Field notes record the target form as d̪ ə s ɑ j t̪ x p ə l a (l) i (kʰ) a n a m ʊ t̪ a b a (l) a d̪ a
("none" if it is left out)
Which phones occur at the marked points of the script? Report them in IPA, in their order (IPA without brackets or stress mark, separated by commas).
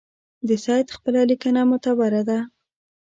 l, k, ɾ